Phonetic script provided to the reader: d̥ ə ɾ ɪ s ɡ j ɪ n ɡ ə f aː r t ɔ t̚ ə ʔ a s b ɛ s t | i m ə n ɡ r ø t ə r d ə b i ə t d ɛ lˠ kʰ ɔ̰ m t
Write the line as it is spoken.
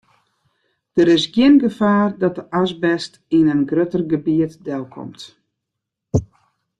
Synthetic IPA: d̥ ə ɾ ɪ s ɡ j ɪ n ɡ ə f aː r d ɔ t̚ ə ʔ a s b ɛ s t | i n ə n ɡ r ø t ə r ɡ ə b i ə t d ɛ lˠ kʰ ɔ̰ m t